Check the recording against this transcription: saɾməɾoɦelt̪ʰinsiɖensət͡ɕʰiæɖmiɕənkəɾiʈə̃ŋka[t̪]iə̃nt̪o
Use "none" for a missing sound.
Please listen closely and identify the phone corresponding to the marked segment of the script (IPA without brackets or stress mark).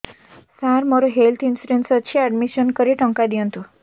d̪